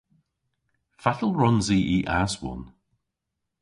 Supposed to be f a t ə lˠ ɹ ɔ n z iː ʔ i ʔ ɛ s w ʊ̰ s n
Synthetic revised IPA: f a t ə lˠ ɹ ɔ n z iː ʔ i ʔ a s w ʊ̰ n